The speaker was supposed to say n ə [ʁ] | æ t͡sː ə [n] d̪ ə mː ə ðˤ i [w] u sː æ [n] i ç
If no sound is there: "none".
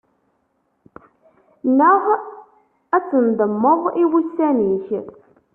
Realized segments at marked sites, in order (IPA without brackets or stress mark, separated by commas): ʁ, n, w, n